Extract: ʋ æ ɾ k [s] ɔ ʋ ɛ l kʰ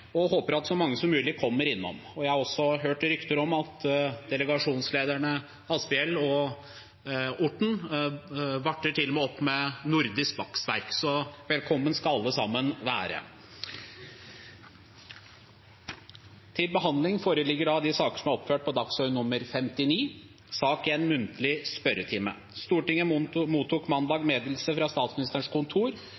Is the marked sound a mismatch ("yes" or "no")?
no